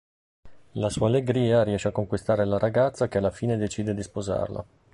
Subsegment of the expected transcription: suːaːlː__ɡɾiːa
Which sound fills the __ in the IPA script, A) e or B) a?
A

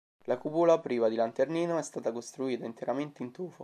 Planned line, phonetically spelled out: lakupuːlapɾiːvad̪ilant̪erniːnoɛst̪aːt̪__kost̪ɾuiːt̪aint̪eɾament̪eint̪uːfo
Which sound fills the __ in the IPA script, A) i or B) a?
B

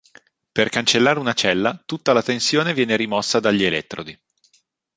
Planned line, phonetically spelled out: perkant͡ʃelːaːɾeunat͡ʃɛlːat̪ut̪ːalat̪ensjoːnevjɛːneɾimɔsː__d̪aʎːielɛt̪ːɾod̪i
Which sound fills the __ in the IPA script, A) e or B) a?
B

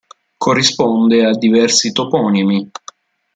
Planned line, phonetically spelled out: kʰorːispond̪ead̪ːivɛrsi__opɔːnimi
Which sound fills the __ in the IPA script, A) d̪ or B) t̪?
B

